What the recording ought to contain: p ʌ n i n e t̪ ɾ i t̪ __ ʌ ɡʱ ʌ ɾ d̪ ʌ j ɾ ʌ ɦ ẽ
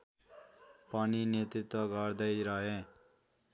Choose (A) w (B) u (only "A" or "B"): A